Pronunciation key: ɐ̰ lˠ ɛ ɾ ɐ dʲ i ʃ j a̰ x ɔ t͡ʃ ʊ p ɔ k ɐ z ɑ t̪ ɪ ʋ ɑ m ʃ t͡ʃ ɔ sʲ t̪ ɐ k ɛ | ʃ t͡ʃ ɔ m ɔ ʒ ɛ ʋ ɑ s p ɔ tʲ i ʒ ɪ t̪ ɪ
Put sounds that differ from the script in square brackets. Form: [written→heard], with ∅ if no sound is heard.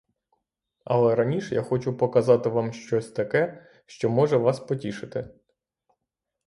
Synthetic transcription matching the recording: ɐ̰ lˠ ɛ ɾ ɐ [dʲ→nʲ] i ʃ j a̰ x ɔ t͡ʃ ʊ p ɔ k ɐ z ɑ t̪ ɪ ʋ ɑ m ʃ t͡ʃ ɔ sʲ t̪ ɐ k ɛ | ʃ t͡ʃ ɔ m ɔ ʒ ɛ ʋ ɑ s p ɔ tʲ i [ʒ→ʃ] ɪ t̪ ɪ